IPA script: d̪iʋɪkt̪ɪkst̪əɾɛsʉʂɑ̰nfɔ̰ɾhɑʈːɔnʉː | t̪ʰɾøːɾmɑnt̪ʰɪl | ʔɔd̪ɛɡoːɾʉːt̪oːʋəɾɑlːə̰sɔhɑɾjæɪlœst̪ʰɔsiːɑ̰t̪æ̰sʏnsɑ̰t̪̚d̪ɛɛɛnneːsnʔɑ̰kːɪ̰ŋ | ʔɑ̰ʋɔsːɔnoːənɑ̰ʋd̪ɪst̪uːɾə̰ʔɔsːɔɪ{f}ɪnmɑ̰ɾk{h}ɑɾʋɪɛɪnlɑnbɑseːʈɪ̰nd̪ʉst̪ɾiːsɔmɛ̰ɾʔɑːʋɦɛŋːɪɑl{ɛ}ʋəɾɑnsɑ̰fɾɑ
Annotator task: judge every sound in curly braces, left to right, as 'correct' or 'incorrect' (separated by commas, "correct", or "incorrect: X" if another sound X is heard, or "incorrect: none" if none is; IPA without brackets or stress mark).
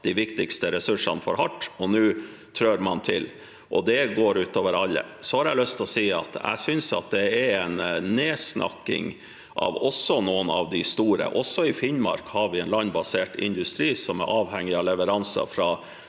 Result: correct, correct, correct